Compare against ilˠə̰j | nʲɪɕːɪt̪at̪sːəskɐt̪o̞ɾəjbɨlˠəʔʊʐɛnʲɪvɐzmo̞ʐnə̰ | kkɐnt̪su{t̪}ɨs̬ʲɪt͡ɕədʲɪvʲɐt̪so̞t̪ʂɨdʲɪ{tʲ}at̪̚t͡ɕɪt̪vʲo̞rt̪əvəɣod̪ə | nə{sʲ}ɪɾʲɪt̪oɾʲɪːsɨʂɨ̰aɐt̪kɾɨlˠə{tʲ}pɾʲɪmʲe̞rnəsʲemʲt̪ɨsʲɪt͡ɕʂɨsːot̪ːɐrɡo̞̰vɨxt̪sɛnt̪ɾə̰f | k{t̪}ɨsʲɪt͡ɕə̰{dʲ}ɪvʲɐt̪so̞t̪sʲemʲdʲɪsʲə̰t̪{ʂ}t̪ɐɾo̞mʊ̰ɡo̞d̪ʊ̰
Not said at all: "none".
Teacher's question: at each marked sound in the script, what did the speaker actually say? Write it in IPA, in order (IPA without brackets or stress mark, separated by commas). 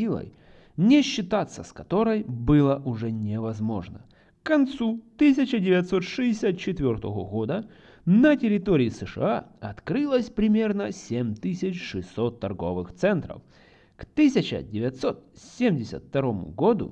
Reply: t̪, sʲ, tʲ, sʲ, t̪, dʲ, f